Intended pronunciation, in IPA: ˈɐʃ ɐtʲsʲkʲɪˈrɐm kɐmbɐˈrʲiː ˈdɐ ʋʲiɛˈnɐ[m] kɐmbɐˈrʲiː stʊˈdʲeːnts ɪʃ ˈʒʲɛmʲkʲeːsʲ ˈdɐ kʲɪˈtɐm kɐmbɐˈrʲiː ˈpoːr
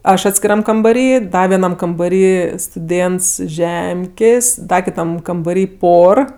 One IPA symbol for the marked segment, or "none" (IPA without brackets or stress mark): m